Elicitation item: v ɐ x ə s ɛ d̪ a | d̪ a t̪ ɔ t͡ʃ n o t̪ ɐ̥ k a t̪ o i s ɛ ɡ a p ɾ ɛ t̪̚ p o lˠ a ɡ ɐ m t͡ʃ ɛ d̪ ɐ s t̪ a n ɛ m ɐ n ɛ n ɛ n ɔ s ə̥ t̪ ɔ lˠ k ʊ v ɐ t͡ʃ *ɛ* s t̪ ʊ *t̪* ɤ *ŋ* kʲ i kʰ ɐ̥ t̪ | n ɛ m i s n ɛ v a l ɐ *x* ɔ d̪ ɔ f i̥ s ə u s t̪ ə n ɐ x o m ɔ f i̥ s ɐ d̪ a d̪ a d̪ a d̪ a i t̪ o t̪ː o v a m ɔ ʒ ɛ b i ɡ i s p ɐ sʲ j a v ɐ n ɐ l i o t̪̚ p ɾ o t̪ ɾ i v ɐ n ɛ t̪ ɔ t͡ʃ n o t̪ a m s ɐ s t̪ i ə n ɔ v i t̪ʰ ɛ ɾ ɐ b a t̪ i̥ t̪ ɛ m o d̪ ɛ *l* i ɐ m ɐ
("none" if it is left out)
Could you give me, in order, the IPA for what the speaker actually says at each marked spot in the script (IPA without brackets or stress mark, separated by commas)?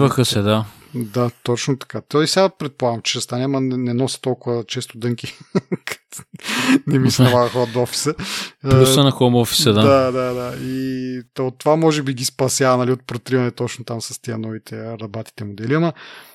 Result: ɛ, d̪, ŋ, x, l